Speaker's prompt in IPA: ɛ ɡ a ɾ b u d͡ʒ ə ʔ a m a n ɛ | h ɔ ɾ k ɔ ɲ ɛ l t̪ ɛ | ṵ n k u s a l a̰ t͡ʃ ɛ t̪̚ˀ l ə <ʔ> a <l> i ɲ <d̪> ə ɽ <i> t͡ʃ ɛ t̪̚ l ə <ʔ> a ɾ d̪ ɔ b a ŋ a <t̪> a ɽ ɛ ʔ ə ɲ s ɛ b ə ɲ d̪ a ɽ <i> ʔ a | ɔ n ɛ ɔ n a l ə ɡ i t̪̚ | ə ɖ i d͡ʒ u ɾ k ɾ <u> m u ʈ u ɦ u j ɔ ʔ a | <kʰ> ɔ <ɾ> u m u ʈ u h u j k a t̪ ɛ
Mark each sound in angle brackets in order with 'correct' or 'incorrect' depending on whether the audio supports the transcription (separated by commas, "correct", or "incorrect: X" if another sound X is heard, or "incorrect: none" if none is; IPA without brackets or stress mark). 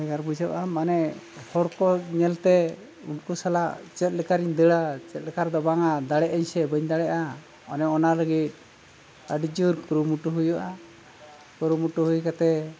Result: incorrect: k, incorrect: ɾ, correct, incorrect: a, incorrect: k, incorrect: d̪, incorrect: ɛ, correct, incorrect: k, correct